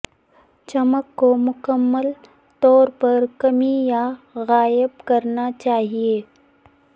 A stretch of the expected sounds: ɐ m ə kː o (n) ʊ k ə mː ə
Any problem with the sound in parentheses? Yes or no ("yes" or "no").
yes